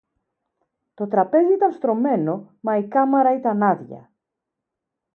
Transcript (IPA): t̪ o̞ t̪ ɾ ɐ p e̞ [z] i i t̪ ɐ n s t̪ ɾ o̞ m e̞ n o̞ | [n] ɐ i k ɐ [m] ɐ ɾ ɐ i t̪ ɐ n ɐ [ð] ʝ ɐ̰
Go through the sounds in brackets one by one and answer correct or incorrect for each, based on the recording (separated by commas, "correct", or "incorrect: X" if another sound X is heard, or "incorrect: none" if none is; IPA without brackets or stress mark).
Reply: correct, incorrect: m, correct, correct